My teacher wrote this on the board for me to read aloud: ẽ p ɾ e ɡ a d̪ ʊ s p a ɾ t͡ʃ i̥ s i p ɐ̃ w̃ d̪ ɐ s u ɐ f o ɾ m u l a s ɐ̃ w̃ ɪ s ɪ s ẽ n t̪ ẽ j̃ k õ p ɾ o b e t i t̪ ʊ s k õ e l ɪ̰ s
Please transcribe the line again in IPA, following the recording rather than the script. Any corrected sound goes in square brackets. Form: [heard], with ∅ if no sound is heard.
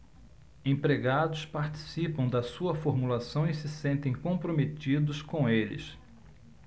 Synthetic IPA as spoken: ẽ p ɾ e ɡ a d̪ ʊ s p a ɾ t͡ʃ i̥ s i p ɐ̃ w̃ d̪ ɐ s u ɐ f o ɾ m u l a s ɐ̃ w̃ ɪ s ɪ s ẽ n t̪ ẽ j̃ k õ p ɾ o [m] e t i [d̪] ʊ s k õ e l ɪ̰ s